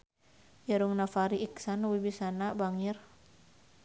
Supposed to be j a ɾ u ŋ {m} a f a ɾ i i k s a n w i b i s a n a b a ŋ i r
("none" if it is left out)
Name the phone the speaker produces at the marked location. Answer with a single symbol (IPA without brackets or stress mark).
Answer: n